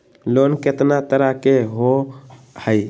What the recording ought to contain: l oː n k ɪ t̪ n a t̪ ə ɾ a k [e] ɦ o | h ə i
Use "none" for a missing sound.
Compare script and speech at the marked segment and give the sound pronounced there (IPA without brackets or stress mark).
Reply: e